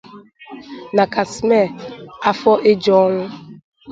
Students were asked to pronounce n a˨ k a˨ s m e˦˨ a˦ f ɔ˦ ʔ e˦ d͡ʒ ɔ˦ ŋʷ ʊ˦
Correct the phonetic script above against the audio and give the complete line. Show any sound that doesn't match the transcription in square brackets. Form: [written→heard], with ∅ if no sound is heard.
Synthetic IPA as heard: n a˨ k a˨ s m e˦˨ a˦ f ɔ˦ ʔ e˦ d͡ʒ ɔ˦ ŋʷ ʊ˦